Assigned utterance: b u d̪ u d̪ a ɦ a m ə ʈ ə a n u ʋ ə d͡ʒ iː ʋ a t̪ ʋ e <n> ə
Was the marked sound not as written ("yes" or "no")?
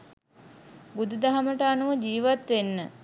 yes